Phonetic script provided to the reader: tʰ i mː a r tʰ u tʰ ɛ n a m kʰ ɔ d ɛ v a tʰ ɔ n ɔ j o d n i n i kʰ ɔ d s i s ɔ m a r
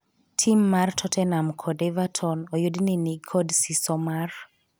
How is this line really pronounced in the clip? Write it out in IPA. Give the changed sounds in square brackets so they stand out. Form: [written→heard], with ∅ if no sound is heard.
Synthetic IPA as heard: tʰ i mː a r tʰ [u→ɔ] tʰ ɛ n a m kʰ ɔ d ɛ v a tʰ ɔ n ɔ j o d n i n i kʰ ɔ d s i s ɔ m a r